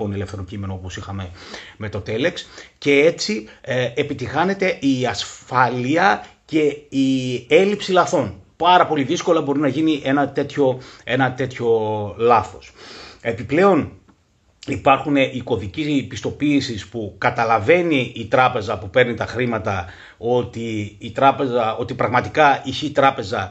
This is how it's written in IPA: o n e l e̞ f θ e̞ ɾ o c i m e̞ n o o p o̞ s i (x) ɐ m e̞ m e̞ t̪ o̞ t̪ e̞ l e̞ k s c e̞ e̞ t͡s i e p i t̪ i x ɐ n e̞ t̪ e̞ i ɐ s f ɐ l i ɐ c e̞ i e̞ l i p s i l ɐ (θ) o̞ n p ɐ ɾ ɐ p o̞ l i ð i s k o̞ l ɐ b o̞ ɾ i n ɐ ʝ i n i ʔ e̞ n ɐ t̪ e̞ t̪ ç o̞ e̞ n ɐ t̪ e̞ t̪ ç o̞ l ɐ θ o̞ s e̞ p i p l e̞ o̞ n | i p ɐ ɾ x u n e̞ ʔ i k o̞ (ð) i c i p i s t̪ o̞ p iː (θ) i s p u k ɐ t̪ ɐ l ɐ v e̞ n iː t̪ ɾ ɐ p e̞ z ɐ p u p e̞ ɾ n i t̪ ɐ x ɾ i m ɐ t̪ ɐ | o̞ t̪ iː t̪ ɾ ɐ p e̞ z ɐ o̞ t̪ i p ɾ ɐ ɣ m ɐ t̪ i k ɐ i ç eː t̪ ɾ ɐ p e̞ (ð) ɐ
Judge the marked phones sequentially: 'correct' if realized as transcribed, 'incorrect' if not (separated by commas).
correct, correct, correct, incorrect, incorrect